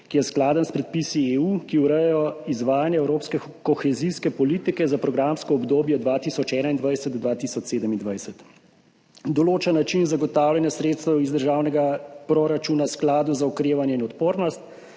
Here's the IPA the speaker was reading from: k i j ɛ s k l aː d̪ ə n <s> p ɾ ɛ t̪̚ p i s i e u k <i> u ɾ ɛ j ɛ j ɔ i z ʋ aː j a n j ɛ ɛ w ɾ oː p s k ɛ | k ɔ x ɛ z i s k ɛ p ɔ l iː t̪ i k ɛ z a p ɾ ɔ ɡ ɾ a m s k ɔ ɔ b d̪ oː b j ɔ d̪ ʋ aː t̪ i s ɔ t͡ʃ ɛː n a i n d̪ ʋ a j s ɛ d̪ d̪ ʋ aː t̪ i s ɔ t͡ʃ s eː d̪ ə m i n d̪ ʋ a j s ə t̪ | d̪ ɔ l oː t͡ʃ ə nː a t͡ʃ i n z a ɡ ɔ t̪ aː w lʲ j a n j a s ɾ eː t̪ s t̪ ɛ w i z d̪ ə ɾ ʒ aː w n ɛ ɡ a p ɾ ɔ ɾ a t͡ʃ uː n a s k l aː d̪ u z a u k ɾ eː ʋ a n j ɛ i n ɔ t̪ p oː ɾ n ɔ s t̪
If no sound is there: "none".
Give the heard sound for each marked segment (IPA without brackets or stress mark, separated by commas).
s, i